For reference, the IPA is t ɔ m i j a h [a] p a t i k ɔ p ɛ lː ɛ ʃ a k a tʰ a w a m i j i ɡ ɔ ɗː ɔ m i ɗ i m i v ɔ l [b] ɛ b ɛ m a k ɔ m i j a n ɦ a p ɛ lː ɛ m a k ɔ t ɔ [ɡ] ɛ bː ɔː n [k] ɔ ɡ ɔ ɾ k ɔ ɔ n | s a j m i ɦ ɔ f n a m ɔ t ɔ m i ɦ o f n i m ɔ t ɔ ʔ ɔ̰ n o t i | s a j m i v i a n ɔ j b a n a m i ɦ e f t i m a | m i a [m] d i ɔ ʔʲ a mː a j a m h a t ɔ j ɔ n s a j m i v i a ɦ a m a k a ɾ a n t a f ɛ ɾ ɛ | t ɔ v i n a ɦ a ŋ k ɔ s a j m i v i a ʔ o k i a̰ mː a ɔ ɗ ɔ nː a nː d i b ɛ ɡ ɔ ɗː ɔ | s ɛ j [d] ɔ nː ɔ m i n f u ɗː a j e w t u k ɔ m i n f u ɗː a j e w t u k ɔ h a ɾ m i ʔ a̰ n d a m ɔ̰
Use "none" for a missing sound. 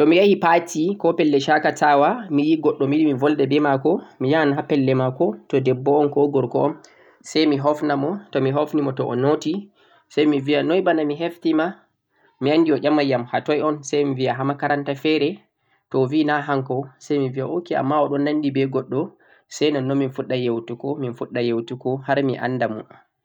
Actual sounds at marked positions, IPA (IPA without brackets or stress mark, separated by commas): i, d, d, k, n, n